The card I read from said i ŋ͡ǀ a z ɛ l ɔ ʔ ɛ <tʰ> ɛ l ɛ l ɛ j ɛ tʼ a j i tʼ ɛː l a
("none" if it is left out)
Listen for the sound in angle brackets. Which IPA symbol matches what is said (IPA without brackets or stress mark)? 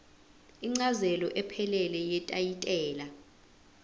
pʰ